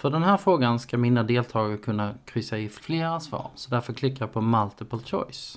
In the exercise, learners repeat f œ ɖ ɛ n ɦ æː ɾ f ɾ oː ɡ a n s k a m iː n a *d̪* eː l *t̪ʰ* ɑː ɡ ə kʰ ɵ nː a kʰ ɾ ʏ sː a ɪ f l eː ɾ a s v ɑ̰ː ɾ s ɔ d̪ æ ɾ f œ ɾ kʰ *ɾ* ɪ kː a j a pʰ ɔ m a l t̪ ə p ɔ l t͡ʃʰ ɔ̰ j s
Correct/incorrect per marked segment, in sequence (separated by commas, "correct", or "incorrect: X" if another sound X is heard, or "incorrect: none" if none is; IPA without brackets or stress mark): correct, correct, incorrect: l